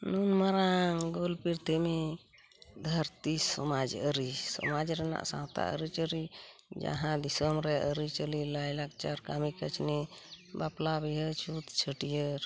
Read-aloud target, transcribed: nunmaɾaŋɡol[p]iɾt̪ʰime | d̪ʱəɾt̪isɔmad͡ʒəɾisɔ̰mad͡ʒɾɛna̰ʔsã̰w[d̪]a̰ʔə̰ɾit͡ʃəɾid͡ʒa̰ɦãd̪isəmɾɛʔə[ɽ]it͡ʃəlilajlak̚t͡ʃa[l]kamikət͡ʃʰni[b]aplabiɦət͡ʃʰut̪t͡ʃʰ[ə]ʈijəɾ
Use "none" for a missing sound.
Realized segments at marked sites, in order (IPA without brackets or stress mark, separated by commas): p, t̪, ɾ, ɾ, b, ə